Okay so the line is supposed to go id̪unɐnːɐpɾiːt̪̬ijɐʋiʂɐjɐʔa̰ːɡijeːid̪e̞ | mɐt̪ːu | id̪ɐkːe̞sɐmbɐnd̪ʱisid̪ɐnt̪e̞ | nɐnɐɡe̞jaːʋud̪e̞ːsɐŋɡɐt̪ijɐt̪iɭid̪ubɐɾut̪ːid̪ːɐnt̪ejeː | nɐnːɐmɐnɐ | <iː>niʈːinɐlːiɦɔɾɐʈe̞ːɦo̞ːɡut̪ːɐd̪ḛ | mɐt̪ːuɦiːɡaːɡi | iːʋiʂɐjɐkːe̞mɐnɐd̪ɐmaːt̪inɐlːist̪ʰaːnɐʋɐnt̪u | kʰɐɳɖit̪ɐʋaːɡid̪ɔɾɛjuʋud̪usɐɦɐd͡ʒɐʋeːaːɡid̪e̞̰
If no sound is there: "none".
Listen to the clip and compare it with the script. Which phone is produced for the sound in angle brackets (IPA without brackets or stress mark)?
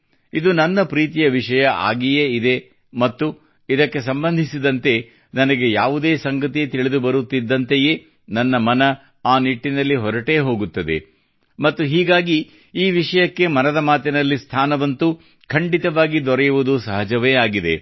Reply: aː